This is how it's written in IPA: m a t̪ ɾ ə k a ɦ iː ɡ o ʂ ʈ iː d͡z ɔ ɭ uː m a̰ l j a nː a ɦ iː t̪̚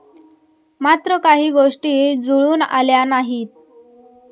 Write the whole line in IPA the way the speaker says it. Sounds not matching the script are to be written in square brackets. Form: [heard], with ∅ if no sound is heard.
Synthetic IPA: m a t̪ ɾ ə k a ɦ iː ɡ o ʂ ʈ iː d͡z [u] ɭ uː [n] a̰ l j a [n] a ɦ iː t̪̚